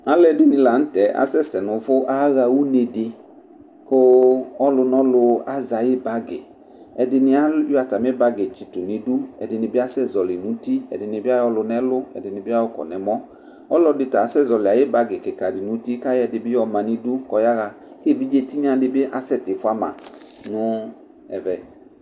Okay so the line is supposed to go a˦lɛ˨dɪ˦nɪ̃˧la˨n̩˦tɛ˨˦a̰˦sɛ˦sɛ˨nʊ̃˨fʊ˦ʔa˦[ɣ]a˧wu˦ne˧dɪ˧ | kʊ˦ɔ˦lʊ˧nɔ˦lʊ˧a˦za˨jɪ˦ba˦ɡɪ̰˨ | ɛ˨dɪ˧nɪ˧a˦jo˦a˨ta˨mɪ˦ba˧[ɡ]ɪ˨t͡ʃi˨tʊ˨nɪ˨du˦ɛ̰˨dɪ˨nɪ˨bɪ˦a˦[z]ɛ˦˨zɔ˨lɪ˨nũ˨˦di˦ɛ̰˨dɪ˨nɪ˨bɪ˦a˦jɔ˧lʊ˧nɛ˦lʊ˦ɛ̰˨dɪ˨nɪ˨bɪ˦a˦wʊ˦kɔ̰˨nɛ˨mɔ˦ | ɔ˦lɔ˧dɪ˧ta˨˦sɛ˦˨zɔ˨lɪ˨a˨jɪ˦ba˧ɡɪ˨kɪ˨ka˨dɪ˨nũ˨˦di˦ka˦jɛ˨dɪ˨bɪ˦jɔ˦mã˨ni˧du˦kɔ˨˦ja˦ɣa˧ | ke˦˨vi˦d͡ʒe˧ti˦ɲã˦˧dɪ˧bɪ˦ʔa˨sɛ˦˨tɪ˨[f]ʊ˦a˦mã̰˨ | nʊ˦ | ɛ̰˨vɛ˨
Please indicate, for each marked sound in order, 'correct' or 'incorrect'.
correct, correct, incorrect, correct

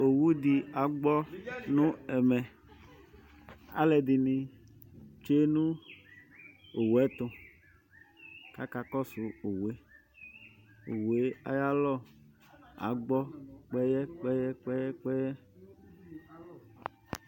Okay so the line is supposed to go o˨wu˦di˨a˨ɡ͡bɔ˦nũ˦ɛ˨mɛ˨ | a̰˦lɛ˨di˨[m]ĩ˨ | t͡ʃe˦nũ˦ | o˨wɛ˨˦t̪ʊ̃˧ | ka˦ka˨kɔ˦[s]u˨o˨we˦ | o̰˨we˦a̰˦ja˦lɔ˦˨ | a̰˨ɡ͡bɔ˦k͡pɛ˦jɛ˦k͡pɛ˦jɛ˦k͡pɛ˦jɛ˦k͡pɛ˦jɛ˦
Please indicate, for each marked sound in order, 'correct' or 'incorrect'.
incorrect, correct

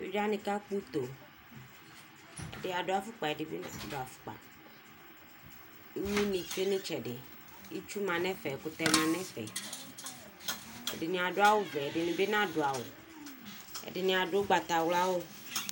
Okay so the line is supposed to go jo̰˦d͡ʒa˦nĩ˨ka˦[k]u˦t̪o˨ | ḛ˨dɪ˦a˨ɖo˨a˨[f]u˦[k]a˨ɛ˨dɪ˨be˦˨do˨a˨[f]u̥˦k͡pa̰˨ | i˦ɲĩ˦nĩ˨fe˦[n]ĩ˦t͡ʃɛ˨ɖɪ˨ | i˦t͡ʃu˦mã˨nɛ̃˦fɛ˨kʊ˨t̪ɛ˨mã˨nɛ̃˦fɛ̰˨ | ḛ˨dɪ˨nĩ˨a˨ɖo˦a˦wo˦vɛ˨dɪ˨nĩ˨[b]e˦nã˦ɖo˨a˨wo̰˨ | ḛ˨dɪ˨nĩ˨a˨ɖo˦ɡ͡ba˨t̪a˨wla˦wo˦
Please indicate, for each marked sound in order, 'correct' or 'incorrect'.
incorrect, correct, incorrect, correct, correct, correct

